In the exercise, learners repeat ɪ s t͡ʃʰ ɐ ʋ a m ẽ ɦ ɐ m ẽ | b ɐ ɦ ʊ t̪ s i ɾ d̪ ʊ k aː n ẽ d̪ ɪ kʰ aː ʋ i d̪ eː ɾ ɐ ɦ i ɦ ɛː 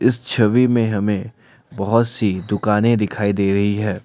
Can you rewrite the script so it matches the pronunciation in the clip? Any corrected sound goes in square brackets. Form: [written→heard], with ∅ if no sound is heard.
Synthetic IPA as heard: ɪ s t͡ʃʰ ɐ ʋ [a→i] m ẽ ɦ ɐ m ẽ | b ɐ ɦ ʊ t̪ s i [ɾ→∅] d̪ ʊ k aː n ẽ d̪ ɪ kʰ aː [ʋ→∅] i d̪ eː ɾ ɐ ɦ i ɦ ɛː

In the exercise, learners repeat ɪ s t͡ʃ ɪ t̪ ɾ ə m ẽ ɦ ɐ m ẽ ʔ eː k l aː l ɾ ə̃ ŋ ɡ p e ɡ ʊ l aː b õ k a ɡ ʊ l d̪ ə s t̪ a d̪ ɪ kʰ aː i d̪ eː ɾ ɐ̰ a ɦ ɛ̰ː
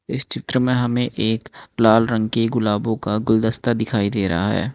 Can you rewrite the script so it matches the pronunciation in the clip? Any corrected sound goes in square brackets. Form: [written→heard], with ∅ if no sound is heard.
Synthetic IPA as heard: ɪ s t͡ʃ ɪ t̪ ɾ ə m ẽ ɦ ɐ m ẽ ʔ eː k l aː l ɾ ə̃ ŋ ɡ [p→k] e ɡ ʊ l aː b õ k a ɡ ʊ l d̪ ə s t̪ a d̪ ɪ kʰ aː i d̪ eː ɾ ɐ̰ a ɦ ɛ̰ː

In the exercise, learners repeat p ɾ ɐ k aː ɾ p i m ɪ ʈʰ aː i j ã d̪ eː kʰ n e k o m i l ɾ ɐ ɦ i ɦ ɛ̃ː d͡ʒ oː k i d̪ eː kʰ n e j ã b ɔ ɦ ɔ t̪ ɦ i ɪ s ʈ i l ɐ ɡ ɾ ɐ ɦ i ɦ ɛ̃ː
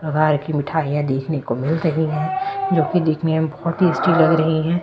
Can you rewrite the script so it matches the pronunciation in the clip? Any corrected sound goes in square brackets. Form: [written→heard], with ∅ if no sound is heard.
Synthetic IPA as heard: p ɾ ɐ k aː ɾ [p→k] i m ɪ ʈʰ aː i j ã d̪ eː kʰ n e k o m [i→ɪ] l ɾ ɐ ɦ i ɦ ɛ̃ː d͡ʒ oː k i d̪ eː kʰ n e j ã b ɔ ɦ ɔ t̪ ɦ i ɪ s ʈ i l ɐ ɡ ɾ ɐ ɦ i ɦ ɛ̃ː

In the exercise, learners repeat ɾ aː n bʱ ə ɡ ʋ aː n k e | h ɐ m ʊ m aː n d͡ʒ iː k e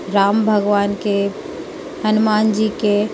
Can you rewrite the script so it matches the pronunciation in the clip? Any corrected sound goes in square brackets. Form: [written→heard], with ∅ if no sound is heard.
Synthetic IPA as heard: ɾ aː [n→m] bʱ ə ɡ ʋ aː n k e | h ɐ [m→n] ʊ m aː n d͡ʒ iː k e

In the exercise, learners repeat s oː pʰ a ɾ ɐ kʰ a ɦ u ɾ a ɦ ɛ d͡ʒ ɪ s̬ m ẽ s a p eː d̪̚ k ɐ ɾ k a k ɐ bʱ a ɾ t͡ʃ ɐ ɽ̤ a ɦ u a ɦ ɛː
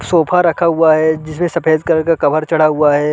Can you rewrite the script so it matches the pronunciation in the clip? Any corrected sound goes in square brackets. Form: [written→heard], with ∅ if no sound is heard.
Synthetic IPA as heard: s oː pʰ a ɾ ɐ kʰ a ɦ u [ɾ→∅] a ɦ ɛ d͡ʒ ɪ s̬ m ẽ s [a→ɐ] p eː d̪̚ k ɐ ɾ k a k ɐ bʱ [a→ə] ɾ t͡ʃ ɐ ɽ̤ a ɦ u a ɦ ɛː

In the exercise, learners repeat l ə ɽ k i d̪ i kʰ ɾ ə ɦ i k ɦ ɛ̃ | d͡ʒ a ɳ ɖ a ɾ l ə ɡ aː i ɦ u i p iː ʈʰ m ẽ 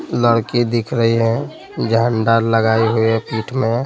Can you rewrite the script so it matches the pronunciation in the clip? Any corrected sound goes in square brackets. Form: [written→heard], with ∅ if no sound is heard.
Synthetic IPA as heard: l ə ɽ k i d̪ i kʰ ɾ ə ɦ i [k→∅] ɦ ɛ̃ | d͡ʒ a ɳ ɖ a ɾ l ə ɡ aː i ɦ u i p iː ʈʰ m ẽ

